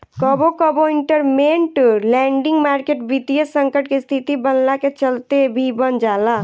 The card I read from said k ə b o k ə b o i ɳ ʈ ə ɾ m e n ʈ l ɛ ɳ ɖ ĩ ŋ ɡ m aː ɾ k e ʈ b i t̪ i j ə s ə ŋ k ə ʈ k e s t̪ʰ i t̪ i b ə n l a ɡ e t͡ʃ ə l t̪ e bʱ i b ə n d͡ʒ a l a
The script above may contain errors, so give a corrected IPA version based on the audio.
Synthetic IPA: k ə b o k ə b o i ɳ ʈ ə ɾ m e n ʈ l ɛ ɳ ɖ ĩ ŋ ɡ m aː ɾ k e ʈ b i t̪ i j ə s ə ŋ k ə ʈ k e s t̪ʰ i t̪ i b ə n l a k e t͡ʃ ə l t̪ e bʱ i b ə n d͡ʒ a l a